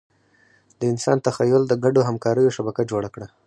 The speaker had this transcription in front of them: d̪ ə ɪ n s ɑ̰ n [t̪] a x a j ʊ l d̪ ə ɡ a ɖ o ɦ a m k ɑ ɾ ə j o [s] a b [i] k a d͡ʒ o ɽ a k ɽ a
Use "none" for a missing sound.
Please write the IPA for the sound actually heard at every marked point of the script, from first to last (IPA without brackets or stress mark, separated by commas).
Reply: t̪, ʃ, a